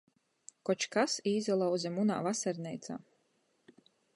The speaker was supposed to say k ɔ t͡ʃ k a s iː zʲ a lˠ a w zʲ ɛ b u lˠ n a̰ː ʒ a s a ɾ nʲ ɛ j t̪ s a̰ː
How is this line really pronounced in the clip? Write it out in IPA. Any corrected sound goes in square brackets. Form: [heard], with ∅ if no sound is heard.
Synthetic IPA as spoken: k ɔ t͡ʃ k a s iː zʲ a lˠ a w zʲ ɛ [m] u [∅] n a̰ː [v] a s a ɾ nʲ ɛ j t̪ s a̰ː